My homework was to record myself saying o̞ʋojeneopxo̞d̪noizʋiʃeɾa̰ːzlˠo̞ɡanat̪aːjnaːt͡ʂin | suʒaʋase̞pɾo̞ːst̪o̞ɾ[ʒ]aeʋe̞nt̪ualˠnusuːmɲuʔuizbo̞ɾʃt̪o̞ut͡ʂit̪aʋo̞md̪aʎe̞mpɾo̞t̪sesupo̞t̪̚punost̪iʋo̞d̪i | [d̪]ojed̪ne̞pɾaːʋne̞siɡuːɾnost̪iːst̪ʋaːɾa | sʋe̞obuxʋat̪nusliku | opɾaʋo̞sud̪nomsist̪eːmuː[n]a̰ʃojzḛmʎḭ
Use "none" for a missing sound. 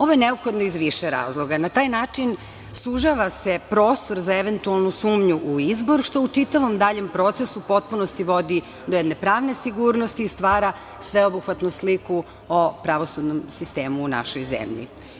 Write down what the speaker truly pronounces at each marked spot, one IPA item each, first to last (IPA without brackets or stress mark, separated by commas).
z, d̪, n